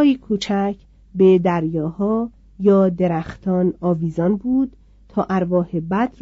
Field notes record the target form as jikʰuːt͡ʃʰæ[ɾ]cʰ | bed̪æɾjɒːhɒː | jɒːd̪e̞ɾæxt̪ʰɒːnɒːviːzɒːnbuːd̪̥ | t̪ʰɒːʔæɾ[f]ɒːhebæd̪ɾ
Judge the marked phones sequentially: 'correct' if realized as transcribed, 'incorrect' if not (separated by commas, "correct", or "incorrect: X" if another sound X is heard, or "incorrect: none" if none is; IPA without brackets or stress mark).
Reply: incorrect: none, incorrect: v